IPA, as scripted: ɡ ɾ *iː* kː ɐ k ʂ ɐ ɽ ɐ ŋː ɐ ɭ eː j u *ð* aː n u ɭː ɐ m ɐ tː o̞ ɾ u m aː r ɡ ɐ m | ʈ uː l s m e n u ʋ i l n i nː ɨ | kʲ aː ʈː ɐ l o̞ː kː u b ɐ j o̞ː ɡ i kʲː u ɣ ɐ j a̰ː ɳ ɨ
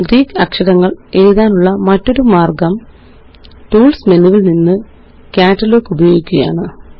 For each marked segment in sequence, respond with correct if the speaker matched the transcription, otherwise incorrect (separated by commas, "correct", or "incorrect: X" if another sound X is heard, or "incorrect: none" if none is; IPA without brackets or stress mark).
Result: correct, correct